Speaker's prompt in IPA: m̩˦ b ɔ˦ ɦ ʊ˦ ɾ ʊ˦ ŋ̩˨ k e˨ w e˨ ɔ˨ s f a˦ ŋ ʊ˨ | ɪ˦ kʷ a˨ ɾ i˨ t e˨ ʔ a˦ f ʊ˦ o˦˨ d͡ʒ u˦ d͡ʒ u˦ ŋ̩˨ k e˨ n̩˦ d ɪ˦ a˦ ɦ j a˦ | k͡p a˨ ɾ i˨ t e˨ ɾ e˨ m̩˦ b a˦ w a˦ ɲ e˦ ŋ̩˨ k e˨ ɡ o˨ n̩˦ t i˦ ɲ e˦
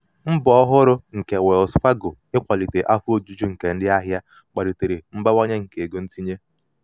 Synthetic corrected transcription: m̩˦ b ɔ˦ ɦ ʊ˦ ɾ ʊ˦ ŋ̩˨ k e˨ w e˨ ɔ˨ s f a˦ ɡ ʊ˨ | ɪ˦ kʷ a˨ l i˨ t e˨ ʔ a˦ f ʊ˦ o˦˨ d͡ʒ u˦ d͡ʒ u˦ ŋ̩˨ k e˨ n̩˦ d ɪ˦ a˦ ɦ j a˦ | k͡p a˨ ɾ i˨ t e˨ ɾ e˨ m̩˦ b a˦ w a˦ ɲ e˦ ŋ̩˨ k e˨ ɡ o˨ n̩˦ t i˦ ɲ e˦